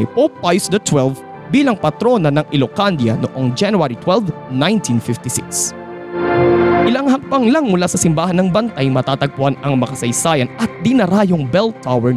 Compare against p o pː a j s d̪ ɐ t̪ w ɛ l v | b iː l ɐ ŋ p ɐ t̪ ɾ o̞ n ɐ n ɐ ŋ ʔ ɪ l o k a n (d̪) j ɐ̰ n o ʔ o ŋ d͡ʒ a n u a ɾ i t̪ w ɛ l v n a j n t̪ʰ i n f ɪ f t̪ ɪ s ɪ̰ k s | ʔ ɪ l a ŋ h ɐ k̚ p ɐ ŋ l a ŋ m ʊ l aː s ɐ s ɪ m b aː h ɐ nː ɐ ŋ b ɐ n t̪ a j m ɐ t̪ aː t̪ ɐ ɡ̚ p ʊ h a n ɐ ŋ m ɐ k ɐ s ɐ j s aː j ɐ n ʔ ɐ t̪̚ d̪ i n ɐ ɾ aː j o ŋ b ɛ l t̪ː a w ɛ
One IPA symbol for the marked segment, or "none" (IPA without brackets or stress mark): d̪